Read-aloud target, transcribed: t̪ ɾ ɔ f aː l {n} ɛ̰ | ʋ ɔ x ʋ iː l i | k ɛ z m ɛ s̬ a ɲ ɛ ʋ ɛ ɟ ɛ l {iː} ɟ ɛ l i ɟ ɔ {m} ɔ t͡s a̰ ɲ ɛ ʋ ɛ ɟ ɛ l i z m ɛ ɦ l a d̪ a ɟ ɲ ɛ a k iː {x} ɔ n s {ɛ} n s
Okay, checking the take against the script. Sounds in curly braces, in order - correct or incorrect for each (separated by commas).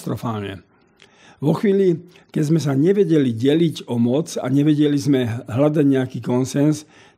incorrect, incorrect, correct, incorrect, correct